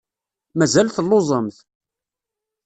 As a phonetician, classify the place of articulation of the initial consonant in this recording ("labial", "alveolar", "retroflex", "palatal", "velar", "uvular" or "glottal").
labial